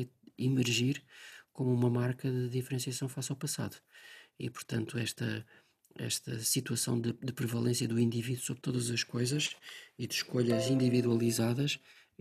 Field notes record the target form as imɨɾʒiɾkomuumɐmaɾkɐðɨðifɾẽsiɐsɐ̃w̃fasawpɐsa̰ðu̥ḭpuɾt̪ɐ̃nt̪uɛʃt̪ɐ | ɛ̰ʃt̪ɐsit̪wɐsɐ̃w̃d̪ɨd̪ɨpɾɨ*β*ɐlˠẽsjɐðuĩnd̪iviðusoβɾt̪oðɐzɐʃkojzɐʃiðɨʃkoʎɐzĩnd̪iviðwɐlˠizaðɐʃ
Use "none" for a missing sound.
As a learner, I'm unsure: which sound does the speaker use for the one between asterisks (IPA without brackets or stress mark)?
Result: v